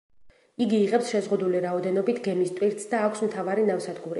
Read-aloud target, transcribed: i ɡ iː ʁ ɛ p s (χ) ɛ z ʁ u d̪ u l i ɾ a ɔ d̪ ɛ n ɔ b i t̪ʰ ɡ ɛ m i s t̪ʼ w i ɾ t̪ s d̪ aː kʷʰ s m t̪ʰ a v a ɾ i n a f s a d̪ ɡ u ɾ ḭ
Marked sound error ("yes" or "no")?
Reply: yes